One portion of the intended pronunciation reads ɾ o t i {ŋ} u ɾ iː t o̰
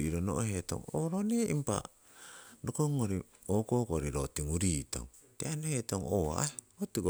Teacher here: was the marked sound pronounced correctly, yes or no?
yes